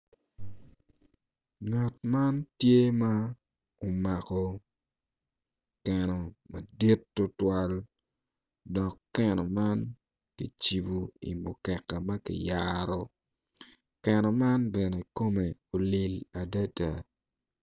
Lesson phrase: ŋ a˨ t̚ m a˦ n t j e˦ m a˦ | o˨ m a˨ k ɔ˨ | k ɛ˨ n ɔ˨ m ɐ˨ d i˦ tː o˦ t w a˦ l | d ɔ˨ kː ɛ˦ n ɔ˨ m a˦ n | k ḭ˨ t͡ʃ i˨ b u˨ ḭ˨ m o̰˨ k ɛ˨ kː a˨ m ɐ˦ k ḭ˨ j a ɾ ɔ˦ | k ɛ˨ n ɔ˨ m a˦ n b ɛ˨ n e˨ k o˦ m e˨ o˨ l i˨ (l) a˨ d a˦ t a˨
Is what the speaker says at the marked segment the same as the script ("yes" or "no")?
yes